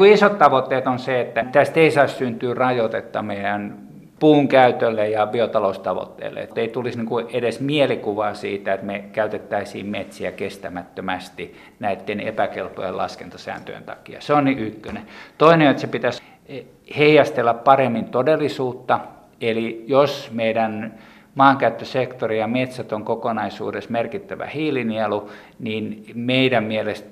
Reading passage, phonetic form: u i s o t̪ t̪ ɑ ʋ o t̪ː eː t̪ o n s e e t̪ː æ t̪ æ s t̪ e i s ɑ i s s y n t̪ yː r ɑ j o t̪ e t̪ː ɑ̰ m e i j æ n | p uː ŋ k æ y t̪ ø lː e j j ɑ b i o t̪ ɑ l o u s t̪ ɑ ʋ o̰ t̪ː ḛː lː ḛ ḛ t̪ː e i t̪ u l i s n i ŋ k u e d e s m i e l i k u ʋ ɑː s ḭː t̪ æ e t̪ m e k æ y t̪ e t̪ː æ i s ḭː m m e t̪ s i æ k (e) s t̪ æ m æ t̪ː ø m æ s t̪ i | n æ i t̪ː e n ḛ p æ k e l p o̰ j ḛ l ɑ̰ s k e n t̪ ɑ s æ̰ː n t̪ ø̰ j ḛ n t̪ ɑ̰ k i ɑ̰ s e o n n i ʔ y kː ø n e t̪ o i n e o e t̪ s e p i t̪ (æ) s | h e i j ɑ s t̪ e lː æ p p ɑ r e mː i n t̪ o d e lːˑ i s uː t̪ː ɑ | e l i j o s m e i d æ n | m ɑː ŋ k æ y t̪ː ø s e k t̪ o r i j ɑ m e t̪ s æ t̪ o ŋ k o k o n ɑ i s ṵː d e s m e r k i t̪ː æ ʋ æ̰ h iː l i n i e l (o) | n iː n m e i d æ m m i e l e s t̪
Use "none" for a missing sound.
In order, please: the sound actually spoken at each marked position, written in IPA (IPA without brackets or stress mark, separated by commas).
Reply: e, æ, u